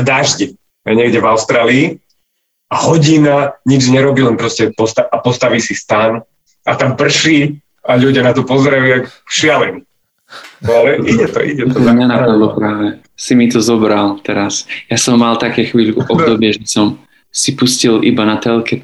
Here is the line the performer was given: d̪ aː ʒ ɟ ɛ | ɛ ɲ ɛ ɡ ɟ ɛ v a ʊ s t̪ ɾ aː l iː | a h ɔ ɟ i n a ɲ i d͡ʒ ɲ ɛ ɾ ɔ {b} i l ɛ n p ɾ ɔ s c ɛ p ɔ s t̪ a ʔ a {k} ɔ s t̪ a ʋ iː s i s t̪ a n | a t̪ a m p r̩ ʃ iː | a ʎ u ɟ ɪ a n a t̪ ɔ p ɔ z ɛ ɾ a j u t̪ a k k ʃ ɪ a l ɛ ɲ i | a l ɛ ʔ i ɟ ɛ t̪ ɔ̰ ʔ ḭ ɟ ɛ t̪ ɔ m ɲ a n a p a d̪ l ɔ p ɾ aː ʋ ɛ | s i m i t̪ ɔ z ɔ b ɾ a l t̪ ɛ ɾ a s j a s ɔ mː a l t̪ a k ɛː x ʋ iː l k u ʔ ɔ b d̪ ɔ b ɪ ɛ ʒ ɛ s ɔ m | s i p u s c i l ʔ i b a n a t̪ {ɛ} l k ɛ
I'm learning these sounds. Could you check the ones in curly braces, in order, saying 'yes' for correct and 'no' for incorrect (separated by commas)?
yes, no, yes